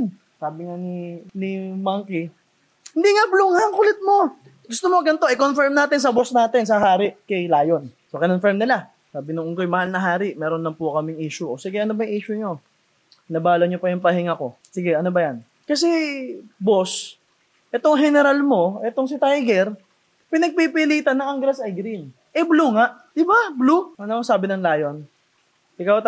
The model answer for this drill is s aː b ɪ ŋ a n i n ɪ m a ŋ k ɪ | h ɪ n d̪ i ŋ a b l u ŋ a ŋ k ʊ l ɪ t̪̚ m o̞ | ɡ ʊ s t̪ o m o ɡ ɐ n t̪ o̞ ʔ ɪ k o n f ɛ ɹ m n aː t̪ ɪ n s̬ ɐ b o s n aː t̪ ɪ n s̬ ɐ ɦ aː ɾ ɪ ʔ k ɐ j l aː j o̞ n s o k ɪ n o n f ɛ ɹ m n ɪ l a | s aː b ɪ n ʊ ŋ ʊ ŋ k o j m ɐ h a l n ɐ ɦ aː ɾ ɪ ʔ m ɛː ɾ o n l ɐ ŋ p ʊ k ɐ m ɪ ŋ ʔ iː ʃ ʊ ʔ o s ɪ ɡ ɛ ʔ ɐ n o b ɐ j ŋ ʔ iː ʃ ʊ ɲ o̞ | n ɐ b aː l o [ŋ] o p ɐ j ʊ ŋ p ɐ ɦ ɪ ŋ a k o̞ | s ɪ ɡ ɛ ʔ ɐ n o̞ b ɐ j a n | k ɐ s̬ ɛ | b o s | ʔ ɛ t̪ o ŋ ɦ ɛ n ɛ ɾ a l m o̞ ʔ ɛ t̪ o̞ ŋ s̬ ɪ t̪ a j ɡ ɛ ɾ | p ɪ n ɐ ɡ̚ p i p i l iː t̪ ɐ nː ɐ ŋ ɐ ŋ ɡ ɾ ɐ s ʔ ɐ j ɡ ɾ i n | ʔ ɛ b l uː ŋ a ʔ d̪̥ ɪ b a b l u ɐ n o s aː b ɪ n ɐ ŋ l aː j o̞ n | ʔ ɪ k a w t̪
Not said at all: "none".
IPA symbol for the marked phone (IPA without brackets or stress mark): ɲ